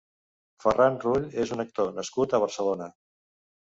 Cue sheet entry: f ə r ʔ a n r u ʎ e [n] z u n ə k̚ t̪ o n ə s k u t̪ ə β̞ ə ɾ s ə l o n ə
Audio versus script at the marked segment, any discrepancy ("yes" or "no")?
yes